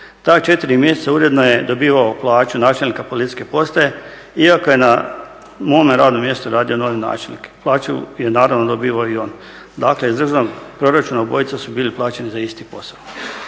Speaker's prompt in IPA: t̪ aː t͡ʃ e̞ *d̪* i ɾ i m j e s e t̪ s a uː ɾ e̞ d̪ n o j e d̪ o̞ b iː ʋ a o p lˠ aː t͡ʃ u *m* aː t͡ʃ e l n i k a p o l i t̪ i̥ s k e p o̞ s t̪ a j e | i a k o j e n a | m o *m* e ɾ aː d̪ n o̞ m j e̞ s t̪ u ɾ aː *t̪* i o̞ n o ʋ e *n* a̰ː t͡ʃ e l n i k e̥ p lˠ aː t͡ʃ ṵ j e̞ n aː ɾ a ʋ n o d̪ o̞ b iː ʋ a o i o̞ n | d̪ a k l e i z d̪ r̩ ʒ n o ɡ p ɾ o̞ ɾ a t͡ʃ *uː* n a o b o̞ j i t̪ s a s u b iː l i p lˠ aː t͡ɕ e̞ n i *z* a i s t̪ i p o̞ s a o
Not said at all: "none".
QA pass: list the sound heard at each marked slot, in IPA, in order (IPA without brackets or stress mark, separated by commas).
t̪, n, m, d̪, n, u, z